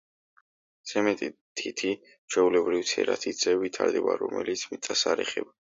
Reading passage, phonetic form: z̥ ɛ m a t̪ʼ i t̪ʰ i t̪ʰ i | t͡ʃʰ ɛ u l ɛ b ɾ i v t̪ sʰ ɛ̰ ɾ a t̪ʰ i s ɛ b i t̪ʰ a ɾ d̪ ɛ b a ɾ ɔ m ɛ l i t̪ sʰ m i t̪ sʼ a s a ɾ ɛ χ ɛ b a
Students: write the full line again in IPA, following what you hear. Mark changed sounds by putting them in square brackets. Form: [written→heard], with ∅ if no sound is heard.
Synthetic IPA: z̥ ɛ m [a→ɛ] t̪ʼ i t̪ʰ i t̪ʰ i | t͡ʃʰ ɛ u l ɛ b ɾ i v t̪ sʰ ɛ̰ ɾ a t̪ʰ i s ɛ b i t̪ʰ a ɾ d̪ ɛ b a ɾ ɔ m ɛ l i t̪ sʰ m i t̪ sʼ a s a ɾ ɛ χ ɛ b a

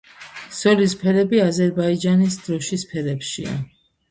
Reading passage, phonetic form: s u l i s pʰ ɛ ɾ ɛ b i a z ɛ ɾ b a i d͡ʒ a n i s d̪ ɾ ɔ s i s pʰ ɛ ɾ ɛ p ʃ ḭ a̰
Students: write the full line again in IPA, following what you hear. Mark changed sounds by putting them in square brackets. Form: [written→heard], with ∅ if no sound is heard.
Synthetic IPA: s [u→ɔ] l i s pʰ ɛ ɾ ɛ b i a z ɛ ɾ b a i d͡ʒ a n i s d̪ ɾ ɔ [s→ʃ] i s pʰ ɛ ɾ ɛ p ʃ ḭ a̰

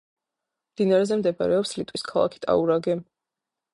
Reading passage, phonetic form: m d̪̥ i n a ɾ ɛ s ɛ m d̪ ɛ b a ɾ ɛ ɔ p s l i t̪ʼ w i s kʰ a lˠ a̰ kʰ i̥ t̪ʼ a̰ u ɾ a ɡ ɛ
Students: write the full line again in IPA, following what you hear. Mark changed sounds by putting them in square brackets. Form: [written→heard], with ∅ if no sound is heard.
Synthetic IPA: m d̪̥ i n a ɾ ɛ [s→z] ɛ m d̪ ɛ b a ɾ ɛ ɔ p s l i t̪ʼ w i s kʰ a lˠ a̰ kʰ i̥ t̪ʼ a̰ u ɾ a ɡ ɛ

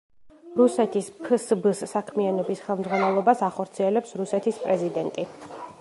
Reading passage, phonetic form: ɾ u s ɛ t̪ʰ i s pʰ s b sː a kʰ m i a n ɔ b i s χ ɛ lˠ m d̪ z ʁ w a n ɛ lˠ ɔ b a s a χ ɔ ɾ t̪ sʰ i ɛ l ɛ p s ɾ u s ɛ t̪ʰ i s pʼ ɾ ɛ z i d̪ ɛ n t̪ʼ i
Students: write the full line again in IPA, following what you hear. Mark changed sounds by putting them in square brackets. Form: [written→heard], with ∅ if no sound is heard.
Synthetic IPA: ɾ u s ɛ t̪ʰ i s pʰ s b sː a kʰ m i a n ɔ b i s χ ɛ lˠ m d̪ z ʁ w a n ɛ lˠ ɔ b a s a χ ɔ ɾ t̪ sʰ i ɛ l ɛ p s ɾ u s ɛ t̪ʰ i s pʼ ɾ ɛ z i d̪ ɛ n t̪ʼ i

